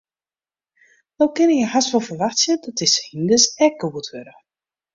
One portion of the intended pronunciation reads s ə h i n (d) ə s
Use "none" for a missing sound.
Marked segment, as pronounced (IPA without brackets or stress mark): d